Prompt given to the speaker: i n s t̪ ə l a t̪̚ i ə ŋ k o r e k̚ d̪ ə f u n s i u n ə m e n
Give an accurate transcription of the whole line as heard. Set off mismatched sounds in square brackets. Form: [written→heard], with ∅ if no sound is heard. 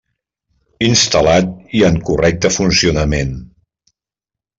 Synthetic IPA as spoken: i n s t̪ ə l a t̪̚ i ə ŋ k [o→u] r [e→ɛ] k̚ [d̪→t̪] ə f u n s i u n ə m e n